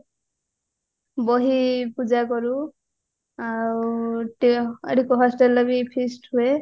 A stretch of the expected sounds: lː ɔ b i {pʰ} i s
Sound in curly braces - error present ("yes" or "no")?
no